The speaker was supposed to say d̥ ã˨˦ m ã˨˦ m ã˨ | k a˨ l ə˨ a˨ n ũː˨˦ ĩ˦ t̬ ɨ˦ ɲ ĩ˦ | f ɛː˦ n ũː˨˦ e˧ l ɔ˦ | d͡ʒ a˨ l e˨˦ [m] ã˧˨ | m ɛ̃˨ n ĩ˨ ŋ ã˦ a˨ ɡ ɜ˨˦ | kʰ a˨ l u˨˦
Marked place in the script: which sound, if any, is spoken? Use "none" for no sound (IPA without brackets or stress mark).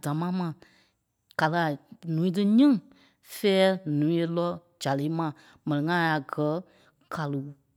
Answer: m